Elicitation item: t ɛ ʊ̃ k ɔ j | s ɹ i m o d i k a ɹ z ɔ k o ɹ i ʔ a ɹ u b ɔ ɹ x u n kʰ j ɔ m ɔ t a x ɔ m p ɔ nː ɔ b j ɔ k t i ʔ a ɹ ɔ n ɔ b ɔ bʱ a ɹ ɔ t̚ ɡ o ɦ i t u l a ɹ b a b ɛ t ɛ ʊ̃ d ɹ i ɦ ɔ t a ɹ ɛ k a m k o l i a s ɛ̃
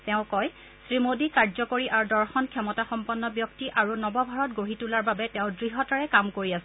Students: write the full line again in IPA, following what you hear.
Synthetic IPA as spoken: t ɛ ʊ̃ k ɔ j | s ɹ i m o d i k a ɹ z ɔ k o ɹ i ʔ a ɹ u d ɔ ɹ x ɔ n kʰ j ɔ m ɔ t a x ɔ m p ɔ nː ɔ b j ɔ k t i ʔ a ɹ u n ɔ b ɔ bʱ a ɹ ɔ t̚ ɡ o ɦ i t u l a ɹ b a b ɛ t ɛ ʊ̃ d ɹ i ɦ ɔ t a ɹ ɛ k a m k o ɹ i a s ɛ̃